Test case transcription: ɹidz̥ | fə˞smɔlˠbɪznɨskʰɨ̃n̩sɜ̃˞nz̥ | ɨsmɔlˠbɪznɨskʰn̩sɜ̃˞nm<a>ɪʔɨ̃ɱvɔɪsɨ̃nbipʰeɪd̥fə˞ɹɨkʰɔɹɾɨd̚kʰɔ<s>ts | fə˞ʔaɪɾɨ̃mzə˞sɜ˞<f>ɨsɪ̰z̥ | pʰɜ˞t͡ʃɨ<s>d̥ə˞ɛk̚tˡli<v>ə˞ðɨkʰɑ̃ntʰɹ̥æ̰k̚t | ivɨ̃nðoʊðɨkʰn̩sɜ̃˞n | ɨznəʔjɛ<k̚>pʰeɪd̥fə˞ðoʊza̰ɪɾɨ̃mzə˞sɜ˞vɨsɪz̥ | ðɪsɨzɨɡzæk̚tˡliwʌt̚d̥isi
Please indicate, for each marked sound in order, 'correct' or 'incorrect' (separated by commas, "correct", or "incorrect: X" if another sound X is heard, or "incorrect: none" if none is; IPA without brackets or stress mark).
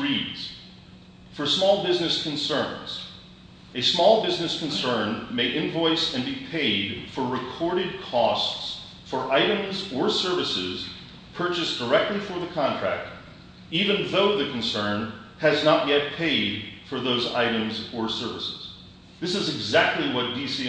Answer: incorrect: e, correct, incorrect: v, correct, incorrect: f, incorrect: t̚